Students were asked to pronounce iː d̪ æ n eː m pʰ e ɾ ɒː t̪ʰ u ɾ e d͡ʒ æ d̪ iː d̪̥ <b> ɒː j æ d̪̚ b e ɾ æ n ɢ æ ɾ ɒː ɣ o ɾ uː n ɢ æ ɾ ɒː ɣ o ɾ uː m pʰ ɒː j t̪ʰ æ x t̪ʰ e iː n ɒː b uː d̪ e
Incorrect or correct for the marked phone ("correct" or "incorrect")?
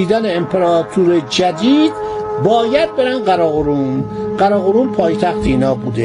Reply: correct